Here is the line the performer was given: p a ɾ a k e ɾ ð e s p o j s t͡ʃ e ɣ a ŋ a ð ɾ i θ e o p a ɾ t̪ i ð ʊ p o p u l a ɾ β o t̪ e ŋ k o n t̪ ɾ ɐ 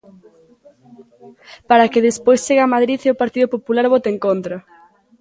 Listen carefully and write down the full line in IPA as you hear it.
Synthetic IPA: p a ɾ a k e ð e s p o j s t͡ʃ e ɣ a m a ð ɾ i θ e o p a ɾ t̪ i ð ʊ p o p u l a ɾ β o t̪ e ŋ k o n t̪ ɾ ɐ